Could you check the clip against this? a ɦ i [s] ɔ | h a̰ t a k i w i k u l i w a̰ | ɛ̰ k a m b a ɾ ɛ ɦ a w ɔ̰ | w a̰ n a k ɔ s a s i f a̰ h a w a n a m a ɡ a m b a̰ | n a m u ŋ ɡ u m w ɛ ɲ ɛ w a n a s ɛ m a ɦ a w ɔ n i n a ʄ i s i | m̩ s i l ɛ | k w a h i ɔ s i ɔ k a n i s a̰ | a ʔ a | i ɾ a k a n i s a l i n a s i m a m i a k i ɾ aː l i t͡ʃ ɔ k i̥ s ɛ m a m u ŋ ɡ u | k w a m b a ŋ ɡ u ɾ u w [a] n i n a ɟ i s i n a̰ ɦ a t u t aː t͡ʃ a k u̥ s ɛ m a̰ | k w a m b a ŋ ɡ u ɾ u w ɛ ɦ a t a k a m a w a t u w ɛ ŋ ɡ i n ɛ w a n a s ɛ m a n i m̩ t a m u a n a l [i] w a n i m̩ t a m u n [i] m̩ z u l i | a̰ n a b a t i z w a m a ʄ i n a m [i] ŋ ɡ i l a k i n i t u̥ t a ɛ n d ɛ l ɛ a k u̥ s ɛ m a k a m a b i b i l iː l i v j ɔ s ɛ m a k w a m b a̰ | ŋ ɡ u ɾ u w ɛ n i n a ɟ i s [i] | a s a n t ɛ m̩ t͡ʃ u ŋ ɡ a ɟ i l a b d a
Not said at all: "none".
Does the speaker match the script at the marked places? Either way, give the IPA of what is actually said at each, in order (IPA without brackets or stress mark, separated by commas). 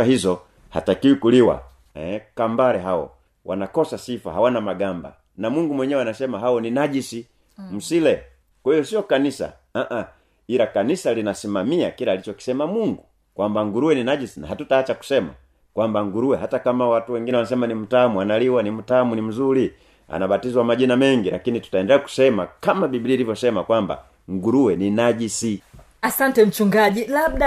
z, ɛ, i, i, ɛ, i